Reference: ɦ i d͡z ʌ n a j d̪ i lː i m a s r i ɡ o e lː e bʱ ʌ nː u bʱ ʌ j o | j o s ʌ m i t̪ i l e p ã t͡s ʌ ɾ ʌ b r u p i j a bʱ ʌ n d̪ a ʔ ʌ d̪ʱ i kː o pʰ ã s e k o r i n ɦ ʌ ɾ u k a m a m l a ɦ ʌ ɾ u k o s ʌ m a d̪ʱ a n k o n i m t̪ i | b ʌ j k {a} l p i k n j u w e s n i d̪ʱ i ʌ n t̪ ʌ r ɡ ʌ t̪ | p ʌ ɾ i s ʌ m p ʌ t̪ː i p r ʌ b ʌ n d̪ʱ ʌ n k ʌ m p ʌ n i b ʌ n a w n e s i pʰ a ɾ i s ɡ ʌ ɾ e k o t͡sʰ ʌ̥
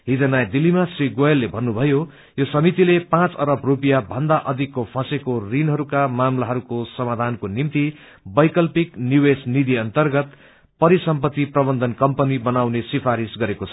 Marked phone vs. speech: incorrect: ʌ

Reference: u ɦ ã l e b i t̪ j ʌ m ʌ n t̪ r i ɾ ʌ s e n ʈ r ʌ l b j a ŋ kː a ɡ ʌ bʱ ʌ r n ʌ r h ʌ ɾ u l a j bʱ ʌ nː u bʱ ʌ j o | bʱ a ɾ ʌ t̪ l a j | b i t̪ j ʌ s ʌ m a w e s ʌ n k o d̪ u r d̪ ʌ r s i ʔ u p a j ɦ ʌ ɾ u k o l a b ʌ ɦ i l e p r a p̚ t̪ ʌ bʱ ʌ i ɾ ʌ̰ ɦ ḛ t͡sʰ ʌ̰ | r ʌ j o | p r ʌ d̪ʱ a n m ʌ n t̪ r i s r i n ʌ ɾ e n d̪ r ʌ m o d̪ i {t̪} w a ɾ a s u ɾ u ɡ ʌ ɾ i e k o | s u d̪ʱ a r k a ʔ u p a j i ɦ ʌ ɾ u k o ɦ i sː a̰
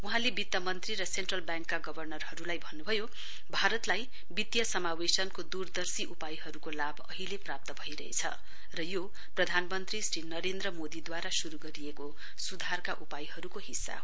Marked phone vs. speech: incorrect: d̪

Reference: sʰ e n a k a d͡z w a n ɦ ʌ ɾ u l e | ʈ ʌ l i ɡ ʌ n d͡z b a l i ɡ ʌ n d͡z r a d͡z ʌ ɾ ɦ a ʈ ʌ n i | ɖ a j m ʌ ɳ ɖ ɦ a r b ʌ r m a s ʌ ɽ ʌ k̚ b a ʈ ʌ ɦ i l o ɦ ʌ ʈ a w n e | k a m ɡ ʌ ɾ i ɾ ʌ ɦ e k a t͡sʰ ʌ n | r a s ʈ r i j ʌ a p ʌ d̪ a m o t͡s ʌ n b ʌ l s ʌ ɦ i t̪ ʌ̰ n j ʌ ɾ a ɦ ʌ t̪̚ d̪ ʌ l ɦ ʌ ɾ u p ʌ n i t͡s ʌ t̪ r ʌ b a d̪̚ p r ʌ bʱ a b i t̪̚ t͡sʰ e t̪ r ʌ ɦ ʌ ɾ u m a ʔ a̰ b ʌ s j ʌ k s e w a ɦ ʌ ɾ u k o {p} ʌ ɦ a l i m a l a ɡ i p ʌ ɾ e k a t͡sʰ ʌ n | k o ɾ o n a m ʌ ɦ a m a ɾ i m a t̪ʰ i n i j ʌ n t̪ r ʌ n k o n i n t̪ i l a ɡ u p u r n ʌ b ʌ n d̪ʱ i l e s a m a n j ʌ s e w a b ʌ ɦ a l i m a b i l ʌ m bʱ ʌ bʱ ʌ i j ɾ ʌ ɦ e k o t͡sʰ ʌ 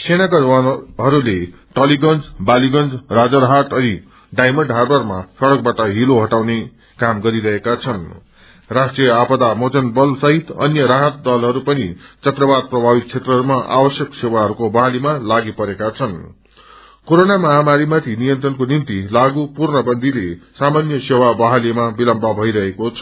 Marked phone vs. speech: incorrect: b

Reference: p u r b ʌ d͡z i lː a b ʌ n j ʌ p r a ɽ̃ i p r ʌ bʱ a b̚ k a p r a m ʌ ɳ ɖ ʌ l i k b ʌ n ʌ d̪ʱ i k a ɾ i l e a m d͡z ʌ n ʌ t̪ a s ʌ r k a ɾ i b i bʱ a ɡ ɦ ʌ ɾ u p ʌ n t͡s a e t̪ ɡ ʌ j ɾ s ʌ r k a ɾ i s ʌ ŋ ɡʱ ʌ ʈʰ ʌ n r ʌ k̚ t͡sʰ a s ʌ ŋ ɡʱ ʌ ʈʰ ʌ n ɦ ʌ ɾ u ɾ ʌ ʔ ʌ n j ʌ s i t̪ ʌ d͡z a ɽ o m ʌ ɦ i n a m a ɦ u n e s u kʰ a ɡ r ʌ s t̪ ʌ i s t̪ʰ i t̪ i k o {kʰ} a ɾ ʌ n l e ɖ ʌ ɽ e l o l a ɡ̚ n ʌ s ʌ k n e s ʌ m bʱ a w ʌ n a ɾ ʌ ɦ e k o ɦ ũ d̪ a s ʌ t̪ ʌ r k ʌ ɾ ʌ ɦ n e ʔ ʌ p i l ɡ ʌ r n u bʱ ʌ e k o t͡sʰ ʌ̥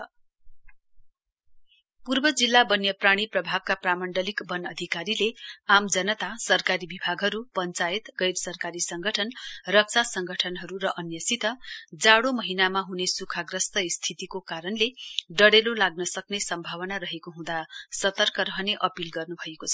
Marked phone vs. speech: incorrect: k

